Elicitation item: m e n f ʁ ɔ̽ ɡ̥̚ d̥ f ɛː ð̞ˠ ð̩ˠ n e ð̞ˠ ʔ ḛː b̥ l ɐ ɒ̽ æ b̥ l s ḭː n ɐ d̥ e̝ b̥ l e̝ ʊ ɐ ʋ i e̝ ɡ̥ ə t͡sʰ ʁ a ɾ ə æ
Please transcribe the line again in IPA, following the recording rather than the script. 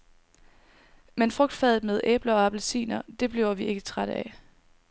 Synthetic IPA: m e n f ʁ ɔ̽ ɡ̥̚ d̥ f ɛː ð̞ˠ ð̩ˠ m e ð̞ˠ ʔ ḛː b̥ l ɐ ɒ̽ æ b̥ l s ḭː n ɐ d̥ e̝ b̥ l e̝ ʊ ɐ ʋ i e̝ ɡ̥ ə t͡sʰ ʁ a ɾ ə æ